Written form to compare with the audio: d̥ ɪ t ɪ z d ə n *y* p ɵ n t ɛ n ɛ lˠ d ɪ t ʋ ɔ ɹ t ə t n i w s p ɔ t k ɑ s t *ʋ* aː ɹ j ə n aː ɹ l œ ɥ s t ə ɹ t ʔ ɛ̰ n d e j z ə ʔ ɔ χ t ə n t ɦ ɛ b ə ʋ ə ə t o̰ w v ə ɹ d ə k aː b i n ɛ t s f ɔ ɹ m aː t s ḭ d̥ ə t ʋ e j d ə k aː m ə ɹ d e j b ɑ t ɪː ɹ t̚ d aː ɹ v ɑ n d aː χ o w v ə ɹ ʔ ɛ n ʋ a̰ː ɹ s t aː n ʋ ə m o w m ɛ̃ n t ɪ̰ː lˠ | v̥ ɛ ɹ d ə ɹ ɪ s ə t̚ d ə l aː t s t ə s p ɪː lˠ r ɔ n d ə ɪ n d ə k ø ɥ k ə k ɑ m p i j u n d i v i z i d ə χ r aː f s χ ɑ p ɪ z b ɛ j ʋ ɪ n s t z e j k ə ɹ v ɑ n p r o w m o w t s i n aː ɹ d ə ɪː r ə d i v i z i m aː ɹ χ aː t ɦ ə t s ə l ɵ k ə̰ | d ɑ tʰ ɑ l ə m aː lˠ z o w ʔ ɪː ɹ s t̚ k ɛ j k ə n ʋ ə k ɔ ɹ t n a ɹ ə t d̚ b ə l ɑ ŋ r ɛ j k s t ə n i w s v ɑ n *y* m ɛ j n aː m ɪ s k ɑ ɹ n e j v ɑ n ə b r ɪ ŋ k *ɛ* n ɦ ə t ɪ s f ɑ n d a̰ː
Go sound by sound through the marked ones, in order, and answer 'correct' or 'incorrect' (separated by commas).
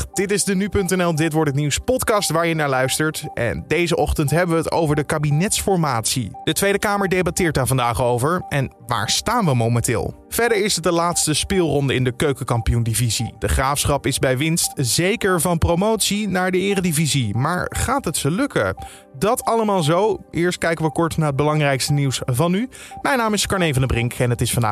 correct, correct, correct, correct